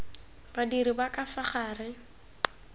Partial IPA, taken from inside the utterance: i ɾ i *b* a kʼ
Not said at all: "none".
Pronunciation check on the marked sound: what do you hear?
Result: b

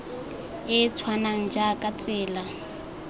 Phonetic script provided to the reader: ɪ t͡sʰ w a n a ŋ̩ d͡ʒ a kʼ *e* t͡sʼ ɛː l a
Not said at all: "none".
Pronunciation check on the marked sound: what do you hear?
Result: a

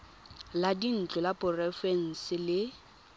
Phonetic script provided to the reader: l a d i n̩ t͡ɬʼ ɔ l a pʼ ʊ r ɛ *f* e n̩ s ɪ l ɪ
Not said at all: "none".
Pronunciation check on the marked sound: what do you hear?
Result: f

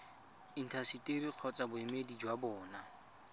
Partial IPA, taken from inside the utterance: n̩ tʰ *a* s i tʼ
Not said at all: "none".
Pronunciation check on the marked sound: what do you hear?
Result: a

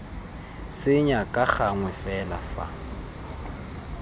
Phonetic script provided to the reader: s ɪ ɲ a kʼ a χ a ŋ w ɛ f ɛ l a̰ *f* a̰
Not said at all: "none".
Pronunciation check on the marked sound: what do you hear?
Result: f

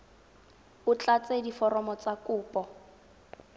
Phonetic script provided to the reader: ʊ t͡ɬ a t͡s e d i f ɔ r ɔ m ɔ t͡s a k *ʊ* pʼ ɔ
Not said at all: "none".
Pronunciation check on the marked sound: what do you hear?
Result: ʊː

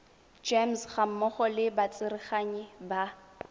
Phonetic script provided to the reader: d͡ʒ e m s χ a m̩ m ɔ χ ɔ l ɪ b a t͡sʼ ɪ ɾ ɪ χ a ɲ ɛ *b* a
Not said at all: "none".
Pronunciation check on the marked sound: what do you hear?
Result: b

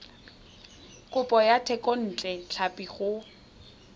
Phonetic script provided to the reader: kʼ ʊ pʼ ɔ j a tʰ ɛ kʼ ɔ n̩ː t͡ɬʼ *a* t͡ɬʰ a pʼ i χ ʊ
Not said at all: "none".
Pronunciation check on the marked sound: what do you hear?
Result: ɛ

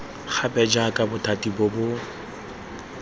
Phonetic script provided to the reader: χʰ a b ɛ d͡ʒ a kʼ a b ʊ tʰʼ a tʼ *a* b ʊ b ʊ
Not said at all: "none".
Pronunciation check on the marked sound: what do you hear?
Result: i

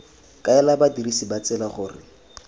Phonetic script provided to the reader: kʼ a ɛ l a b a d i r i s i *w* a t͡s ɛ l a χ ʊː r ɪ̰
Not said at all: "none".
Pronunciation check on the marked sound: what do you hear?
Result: b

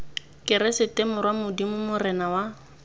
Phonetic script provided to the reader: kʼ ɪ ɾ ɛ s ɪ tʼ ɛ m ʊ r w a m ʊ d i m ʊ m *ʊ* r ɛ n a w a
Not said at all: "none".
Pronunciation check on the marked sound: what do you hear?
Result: ʊ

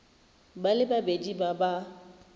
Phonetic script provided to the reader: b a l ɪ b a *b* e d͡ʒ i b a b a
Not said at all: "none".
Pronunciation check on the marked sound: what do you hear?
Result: b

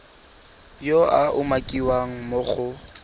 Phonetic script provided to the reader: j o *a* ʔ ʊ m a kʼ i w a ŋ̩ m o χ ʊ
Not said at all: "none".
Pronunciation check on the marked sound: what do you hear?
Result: a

